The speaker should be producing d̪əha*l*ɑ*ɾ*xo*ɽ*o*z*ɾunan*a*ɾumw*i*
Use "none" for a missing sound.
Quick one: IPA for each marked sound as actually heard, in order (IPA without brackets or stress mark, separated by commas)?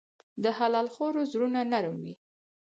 l, l, ɾ, z, a, i